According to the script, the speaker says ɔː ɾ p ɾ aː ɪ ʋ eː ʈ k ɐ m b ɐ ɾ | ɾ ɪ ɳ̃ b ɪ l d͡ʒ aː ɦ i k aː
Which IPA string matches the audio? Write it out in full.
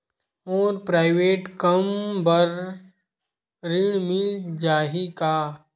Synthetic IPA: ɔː ɾ p ɾ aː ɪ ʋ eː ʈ k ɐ m b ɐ ɾ | ɾ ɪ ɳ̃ m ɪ l d͡ʒ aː ɦ i k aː